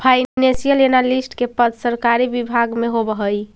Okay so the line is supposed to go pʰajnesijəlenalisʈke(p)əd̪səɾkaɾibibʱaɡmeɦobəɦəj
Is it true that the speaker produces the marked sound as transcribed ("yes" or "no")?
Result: yes